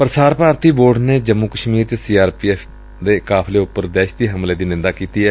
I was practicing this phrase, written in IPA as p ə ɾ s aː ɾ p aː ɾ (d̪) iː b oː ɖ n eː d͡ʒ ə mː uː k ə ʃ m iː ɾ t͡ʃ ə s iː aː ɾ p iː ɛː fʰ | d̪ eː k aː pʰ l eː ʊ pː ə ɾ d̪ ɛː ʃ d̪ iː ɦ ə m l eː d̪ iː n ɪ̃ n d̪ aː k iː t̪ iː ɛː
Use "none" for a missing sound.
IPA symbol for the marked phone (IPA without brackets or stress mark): t̪